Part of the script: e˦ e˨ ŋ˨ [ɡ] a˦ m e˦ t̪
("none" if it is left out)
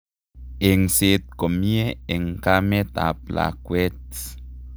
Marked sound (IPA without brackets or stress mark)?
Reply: k